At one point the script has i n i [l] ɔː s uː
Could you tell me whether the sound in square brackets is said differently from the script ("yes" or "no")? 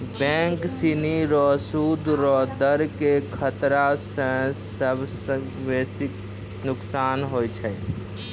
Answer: yes